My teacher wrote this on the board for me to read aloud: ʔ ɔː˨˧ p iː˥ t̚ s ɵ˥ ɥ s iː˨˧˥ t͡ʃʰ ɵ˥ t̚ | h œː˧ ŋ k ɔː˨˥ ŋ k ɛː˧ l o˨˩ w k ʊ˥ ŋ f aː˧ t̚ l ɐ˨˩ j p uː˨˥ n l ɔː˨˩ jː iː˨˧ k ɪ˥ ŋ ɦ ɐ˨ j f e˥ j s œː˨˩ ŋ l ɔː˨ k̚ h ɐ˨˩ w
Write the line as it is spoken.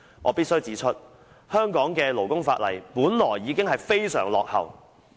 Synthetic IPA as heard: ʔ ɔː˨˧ p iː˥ t̚ s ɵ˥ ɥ t͡s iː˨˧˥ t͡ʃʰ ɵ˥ t̚ | h œː˥ ŋ k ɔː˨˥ ŋ k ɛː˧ l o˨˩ w k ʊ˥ ŋ f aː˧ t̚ l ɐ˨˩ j p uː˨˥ n l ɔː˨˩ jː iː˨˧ k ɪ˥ ŋ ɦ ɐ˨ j f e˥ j s œː˨˩ ŋ l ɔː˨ k̚ h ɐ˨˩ w